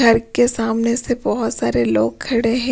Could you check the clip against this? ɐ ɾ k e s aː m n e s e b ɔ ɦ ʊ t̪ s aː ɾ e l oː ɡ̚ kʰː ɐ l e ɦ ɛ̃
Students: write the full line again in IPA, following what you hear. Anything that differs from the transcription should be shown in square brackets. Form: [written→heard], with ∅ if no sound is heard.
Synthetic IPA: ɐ ɾ k e s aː m n e s e b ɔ ɦ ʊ t̪ s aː ɾ e l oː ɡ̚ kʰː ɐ [l→ɽ] e ɦ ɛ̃